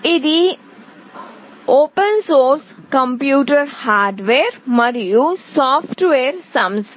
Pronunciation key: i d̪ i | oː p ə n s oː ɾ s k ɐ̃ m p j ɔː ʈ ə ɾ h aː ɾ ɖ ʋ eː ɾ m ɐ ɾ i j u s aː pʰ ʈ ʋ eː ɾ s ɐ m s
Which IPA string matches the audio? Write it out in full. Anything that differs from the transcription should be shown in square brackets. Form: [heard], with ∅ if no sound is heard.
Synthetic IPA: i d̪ i | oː p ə n s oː ɾ s k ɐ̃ m p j [uː] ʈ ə ɾ h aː ɾ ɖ ʋ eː ɾ m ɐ ɾ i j u s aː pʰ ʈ ʋ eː ɾ s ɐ m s